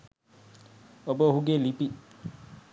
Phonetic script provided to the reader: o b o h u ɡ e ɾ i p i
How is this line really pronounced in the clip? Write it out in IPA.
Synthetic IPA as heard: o b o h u ɡ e l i p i